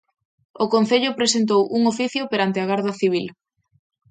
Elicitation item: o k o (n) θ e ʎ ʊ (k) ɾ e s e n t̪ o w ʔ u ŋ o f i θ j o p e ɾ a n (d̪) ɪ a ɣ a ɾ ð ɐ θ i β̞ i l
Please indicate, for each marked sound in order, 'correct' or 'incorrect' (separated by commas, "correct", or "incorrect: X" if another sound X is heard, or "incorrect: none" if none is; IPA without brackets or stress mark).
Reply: correct, incorrect: p, incorrect: t̪